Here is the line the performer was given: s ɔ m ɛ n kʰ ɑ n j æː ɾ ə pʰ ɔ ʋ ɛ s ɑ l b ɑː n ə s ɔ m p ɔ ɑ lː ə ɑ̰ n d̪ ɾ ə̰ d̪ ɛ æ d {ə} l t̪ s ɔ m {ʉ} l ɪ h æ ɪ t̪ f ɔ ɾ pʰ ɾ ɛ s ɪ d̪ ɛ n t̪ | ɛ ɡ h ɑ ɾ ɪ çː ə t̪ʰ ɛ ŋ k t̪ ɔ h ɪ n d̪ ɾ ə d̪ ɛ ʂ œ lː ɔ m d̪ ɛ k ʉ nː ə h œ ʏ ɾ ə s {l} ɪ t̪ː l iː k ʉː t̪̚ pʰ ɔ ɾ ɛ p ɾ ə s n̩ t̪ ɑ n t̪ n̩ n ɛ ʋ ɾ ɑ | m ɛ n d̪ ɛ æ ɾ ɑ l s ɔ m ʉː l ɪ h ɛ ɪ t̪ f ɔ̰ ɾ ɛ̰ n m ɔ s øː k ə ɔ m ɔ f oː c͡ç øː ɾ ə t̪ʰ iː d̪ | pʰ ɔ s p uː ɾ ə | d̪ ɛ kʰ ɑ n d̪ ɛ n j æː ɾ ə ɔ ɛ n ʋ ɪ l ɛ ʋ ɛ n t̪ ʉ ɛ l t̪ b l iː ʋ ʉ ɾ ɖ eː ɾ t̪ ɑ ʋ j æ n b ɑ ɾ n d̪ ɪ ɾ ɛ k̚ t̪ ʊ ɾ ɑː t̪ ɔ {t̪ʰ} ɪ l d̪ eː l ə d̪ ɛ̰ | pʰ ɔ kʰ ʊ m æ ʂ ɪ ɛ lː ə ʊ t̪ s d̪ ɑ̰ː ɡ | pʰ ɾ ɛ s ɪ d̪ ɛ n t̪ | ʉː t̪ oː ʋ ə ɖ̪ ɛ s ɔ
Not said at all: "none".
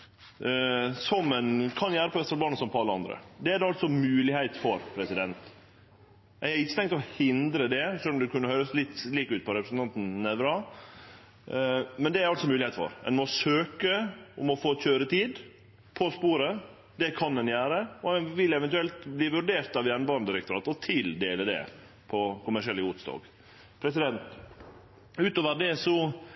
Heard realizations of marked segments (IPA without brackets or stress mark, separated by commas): ɑ, ʉː, l, t̪ʰ